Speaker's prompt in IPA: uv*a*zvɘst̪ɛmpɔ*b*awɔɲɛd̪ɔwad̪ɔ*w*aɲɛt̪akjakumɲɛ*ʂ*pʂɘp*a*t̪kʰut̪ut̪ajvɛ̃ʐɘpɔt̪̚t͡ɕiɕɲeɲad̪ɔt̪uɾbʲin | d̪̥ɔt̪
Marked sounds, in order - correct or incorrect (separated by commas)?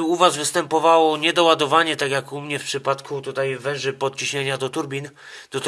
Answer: correct, incorrect, incorrect, incorrect, correct